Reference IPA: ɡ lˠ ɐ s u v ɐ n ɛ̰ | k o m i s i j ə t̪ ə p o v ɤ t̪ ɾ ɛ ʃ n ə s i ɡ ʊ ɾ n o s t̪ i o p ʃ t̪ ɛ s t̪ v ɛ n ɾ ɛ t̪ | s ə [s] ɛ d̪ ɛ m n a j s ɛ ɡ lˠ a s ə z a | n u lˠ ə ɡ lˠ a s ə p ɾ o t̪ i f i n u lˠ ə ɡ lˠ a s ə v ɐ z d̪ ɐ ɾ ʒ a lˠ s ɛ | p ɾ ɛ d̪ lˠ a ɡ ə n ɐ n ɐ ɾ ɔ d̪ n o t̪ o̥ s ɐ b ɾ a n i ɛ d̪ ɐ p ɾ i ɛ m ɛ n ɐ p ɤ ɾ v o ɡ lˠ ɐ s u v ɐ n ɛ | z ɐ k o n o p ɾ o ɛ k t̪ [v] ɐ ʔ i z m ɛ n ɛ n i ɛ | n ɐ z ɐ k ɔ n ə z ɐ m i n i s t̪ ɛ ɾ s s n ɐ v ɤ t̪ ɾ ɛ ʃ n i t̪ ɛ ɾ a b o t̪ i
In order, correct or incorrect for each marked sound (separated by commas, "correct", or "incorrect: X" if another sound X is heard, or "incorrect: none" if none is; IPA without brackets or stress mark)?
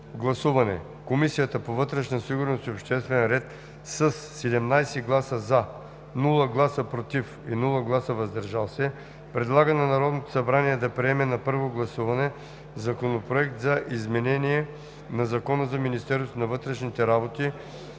incorrect: sː, incorrect: z